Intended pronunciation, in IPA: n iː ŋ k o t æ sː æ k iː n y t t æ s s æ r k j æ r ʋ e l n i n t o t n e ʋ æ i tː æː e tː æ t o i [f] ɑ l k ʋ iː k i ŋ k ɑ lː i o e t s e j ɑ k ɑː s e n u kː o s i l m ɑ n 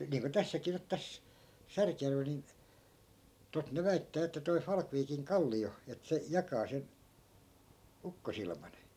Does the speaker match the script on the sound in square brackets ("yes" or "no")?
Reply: yes